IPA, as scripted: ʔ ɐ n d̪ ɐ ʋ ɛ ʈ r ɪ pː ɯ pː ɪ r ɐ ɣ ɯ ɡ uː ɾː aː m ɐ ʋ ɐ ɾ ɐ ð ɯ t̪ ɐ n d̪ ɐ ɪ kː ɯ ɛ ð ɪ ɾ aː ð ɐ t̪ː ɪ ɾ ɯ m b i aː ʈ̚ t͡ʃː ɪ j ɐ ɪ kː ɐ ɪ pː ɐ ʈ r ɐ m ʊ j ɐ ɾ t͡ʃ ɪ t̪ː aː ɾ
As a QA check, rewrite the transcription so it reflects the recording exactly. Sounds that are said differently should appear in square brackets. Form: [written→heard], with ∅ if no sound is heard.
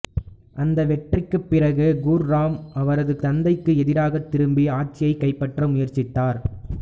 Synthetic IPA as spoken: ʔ ɐ n d̪ ɐ ʋ ɛ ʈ r ɪ [pː→kː] ɯ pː ɪ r ɐ ɣ ɯ ɡ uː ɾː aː m ɐ ʋ ɐ ɾ ɐ ð ɯ t̪ ɐ n d̪ ɐ ɪ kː ɯ ɛ ð ɪ ɾ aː [ð→ɣ] ɐ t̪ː ɪ ɾ ɯ m b i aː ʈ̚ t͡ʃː ɪ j ɐ ɪ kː ɐ ɪ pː ɐ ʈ r ɐ m ʊ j ɐ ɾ t͡ʃ ɪ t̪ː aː ɾ

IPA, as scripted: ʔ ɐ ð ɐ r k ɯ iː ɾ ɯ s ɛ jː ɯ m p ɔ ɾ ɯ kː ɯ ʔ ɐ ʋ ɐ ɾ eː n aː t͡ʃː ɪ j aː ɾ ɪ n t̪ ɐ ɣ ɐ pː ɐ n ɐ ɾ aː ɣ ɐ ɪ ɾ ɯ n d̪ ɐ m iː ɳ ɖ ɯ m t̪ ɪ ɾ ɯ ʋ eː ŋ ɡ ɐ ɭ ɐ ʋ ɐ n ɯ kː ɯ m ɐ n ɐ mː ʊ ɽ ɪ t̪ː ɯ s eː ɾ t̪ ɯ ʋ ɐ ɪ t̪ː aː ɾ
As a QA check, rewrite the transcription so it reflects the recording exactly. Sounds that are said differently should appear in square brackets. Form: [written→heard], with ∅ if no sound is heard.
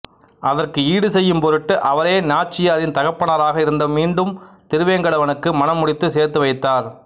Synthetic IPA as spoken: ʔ ɐ ð ɐ r k ɯ iː [ɾ→ɽ] ɯ s ɛ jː ɯ m p ɔ ɾ ɯ [kː→ʈː] ɯ ʔ ɐ ʋ ɐ ɾ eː n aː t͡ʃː ɪ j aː ɾ ɪ n t̪ ɐ ɣ ɐ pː ɐ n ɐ ɾ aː ɣ ɐ ɪ ɾ ɯ n d̪ ɐ m iː ɳ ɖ ɯ m t̪ ɪ ɾ ɯ ʋ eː ŋ ɡ ɐ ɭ ɐ ʋ ɐ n ɯ kː ɯ m ɐ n ɐ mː ʊ ɽ ɪ t̪ː ɯ s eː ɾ t̪ ɯ ʋ ɐ ɪ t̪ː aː ɾ

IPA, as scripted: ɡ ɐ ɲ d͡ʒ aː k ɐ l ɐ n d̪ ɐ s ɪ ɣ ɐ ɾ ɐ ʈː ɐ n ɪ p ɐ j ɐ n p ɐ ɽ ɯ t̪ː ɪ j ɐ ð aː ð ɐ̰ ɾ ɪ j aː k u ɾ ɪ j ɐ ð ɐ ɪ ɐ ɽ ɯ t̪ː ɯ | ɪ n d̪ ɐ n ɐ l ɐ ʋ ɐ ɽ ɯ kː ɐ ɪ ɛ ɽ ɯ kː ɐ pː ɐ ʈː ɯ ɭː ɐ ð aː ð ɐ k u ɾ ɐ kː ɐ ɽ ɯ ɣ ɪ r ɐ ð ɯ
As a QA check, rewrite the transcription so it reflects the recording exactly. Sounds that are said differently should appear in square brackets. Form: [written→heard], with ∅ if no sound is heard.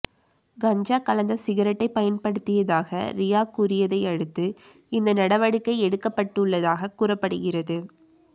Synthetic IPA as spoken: ɡ ɐ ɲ d͡ʒ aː k ɐ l ɐ n d̪ ɐ s ɪ ɣ ɐ ɾ ɐ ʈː ɐ [n→∅] ɪ p ɐ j ɐ n p ɐ ɽ ɯ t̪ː ɪ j ɐ ð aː [ð→ɣ] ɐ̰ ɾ ɪ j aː k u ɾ ɪ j ɐ ð ɐ ɪ ɐ ɽ ɯ t̪ː ɯ | ɪ n d̪ ɐ n ɐ [l→ɽ] ɐ ʋ ɐ ɽ ɯ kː ɐ ɪ ɛ ɽ ɯ kː ɐ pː ɐ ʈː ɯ ɭː ɐ ð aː [ð→ɣ] ɐ k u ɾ ɐ [kː→pː] ɐ ɽ ɯ ɣ ɪ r ɐ ð ɯ

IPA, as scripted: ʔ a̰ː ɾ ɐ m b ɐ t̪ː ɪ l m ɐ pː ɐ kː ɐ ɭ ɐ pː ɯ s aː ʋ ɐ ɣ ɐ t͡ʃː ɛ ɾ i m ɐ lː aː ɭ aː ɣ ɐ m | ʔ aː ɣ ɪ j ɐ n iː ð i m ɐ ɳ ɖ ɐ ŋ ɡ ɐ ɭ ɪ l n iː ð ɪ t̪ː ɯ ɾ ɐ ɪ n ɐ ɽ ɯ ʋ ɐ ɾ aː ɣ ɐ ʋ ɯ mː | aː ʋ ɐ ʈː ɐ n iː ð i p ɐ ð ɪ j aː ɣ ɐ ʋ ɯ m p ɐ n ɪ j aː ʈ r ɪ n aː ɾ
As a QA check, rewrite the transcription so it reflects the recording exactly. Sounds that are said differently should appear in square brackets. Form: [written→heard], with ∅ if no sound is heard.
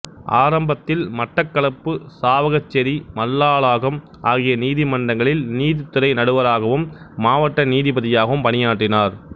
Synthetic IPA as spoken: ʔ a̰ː ɾ ɐ m b ɐ t̪ː ɪ l m ɐ [pː→ʈː] ɐ kː ɐ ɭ ɐ pː ɯ s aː ʋ ɐ ɣ ɐ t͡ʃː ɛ ɾ i m ɐ lː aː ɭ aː ɣ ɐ m | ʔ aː ɣ ɪ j ɐ n iː ð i m ɐ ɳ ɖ ɐ ŋ ɡ ɐ ɭ ɪ l n iː ð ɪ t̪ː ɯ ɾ ɐ ɪ n ɐ ɽ ɯ ʋ ɐ ɾ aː ɣ ɐ ʋ ɯ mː | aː ʋ ɐ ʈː ɐ n iː ð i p ɐ ð ɪ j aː ɣ ɐ ʋ ɯ m p ɐ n ɪ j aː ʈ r ɪ n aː ɾ

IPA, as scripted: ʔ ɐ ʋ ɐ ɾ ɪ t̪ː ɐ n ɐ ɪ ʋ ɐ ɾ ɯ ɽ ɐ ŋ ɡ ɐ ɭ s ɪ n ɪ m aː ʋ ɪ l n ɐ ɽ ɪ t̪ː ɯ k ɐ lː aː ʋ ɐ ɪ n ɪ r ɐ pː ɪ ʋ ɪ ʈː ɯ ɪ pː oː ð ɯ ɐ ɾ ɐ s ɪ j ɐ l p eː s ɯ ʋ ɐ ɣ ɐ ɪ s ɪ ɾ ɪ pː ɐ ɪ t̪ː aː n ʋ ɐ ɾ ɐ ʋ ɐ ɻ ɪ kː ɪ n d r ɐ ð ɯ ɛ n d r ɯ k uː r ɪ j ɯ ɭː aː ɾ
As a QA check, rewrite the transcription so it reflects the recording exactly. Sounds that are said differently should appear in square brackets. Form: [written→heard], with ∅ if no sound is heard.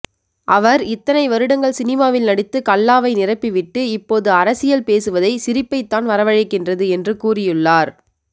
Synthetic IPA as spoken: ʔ ɐ ʋ ɐ ɾ ɪ t̪ː ɐ n ɐ ɪ ʋ ɐ ɾ ɯ ɽ ɐ ŋ ɡ ɐ ɭ s ɪ n ɪ m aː ʋ ɪ l n ɐ ɽ ɪ t̪ː ɯ k ɐ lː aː ʋ ɐ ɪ n ɪ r ɐ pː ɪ ʋ ɪ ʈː ɯ ɪ pː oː ð ɯ ɐ ɾ ɐ s ɪ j ɐ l p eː s ɯ ʋ ɐ [ɣ→ð] ɐ ɪ s ɪ ɾ ɪ pː ɐ ɪ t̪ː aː n ʋ ɐ ɾ ɐ ʋ ɐ ɻ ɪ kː ɪ n d r ɐ ð ɯ ɛ n d r ɯ k uː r ɪ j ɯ ɭː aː ɾ

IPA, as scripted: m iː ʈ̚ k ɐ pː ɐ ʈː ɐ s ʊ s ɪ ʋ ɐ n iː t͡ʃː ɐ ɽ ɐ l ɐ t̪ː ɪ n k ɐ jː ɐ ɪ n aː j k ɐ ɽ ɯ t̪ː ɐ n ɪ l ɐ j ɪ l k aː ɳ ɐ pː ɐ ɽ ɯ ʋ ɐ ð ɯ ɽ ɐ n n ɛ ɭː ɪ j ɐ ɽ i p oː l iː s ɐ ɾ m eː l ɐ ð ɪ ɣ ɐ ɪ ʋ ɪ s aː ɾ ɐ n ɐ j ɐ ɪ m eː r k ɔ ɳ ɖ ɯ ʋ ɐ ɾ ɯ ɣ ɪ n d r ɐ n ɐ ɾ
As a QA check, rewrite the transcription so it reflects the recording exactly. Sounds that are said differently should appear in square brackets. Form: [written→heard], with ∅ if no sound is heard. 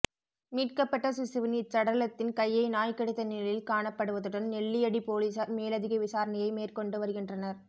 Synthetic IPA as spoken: m iː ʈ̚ k ɐ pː ɐ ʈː ɐ s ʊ s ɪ ʋ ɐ n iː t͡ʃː ɐ ɽ ɐ l ɐ t̪ː ɪ n k ɐ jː ɐ ɪ n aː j k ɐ ɽ ɯ t̪ː ɐ n ɪ l ɐ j ɪ l k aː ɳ ɐ pː ɐ ɽ ɯ ʋ ɐ ð ɯ ɽ ɐ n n ɛ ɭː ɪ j ɐ ɽ i p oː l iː s ɐ ɾ m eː l ɐ ð ɪ ɣ ɐ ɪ ʋ ɪ s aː ɾ ɐ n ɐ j ɐ ɪ m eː r k ɔ ɳ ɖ ɯ ʋ ɐ ɾ ɯ ɣ ɪ n d r ɐ n ɐ ɾ

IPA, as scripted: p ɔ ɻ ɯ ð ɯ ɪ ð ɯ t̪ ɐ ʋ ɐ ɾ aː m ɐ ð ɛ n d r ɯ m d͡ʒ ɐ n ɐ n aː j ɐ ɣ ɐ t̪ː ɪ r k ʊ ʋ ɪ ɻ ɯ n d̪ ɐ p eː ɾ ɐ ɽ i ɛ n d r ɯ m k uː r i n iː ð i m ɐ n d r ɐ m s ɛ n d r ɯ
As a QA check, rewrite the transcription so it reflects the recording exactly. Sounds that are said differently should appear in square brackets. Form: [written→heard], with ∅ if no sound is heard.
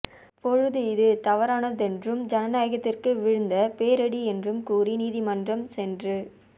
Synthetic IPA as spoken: p ɔ ɻ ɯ ð ɯ ɪ ð ɯ t̪ ɐ ʋ ɐ ɾ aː [m→n] ɐ ð ɛ n d r ɯ m d͡ʒ ɐ n ɐ n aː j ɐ ɣ ɐ t̪ː ɪ r k [ʊ→ɯ] ʋ ɪ ɻ ɯ n d̪ ɐ p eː ɾ ɐ ɽ i ɛ n d r ɯ m k uː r i n iː ð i m ɐ n d r ɐ m s ɛ n d r ɯ

